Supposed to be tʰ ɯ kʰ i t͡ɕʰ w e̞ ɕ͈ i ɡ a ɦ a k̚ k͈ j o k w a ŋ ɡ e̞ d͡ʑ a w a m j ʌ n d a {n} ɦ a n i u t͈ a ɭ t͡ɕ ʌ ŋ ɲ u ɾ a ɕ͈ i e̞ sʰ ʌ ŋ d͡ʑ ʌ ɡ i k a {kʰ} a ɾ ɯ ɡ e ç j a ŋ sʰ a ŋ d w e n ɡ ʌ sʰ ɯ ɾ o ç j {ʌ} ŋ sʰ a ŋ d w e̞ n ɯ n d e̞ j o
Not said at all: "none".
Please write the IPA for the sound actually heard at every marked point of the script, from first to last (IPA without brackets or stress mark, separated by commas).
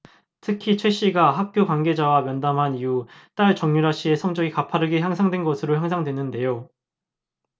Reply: m, pʰ, a